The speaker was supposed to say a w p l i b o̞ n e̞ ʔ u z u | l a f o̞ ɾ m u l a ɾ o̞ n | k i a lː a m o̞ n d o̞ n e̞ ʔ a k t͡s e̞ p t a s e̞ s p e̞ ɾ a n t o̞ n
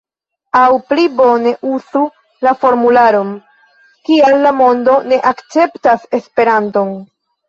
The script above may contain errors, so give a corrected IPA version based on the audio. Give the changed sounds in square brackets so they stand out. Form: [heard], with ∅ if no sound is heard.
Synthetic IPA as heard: a w p l i b o̞ n e̞ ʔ u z u | l a f o̞ ɾ m u l a ɾ o̞ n | k i a lː a m o̞ n d o̞ n e̞ ʔ a k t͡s e̞ p t a s e̞ s p e̞ ɾ a n t o̞ n